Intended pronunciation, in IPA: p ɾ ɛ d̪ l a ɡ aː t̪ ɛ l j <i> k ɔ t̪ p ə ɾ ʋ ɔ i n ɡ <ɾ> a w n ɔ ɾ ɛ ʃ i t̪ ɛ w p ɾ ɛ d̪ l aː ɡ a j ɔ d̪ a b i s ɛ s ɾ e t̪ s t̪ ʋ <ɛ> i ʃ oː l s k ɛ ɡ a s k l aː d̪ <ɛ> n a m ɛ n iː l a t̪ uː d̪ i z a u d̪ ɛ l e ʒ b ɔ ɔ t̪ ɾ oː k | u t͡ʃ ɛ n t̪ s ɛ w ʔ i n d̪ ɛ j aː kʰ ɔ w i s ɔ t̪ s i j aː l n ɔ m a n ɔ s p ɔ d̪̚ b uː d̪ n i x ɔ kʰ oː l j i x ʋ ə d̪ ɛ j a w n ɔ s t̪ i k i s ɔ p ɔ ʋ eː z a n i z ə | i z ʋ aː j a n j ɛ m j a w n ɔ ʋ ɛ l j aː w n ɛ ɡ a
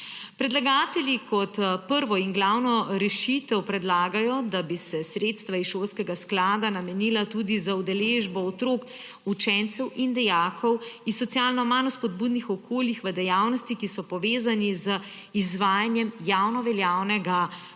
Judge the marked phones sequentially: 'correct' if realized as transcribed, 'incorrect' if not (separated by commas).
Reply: correct, incorrect, incorrect, incorrect